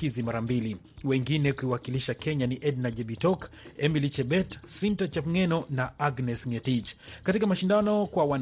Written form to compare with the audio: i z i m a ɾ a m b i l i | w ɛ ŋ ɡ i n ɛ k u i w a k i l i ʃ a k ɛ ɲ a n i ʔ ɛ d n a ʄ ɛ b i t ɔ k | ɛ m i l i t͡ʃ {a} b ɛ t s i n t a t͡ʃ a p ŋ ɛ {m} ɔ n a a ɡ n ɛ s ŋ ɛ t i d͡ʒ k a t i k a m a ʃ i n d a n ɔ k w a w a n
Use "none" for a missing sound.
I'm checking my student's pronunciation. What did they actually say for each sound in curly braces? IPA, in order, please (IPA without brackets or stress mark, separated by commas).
ɛ, n